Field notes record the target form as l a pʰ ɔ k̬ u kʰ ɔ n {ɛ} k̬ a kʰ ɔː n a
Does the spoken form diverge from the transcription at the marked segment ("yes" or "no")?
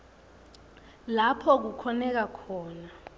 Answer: no